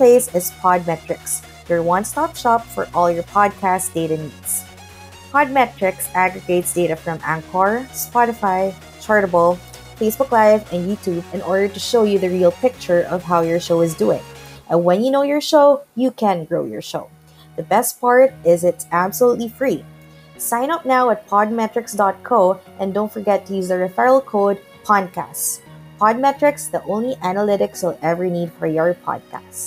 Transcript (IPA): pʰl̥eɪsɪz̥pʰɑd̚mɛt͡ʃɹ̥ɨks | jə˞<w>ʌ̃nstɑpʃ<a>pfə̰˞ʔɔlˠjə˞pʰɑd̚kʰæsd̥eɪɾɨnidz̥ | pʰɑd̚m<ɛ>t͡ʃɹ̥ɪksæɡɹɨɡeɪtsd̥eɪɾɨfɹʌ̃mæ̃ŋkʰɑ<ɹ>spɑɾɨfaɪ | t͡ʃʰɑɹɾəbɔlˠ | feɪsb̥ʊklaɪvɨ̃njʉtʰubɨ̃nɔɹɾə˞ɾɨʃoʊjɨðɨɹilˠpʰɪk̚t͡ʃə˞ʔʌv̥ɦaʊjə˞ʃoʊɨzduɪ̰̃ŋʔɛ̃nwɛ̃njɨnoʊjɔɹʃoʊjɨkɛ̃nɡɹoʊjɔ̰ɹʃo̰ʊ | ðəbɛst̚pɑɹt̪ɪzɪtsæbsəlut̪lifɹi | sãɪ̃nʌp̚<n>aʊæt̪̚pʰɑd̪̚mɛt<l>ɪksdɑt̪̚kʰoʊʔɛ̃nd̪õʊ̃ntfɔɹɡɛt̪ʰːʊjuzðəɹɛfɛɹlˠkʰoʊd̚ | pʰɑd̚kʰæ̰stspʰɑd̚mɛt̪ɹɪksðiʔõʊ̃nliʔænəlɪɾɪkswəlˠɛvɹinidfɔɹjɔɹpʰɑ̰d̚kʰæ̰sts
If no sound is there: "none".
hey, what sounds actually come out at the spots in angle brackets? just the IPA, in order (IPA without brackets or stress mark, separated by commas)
w, ɑ, ɛ, ɹ, n, ɹ